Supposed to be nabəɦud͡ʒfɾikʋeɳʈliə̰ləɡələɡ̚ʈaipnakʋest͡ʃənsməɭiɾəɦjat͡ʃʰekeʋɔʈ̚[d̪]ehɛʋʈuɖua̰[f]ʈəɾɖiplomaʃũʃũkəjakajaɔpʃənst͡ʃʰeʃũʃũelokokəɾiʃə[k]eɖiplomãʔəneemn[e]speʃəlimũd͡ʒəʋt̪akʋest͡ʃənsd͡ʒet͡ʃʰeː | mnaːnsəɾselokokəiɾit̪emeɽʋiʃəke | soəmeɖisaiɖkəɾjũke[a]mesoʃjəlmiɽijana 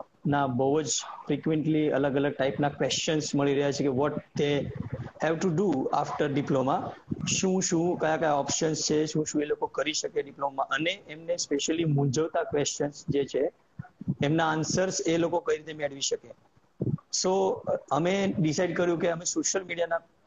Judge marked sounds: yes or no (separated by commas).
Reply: yes, yes, yes, yes, no